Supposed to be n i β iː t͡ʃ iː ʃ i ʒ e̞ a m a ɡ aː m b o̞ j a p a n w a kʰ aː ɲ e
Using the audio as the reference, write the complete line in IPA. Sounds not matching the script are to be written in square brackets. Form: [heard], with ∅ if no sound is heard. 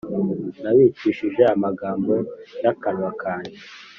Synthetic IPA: n [a] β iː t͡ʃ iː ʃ i ʒ e̞ a m a ɡ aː m b o̞ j a [k] a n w a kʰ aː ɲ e